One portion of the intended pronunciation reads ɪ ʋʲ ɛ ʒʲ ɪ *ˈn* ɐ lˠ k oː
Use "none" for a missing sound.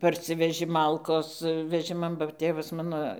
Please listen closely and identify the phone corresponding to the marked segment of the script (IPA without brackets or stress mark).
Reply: m